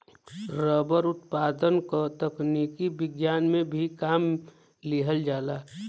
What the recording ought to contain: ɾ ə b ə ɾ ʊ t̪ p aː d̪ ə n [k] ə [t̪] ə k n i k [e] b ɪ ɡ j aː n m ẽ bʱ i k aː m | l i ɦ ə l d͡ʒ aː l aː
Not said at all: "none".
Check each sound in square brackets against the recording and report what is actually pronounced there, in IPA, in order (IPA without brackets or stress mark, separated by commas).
k, t̪, i